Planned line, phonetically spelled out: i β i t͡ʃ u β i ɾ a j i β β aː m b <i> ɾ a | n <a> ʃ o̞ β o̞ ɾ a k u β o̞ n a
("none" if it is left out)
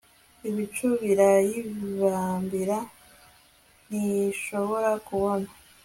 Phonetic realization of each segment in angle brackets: i, i

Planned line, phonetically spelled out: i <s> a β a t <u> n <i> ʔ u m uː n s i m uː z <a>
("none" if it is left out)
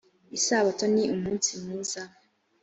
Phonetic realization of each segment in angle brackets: s, o, i, a

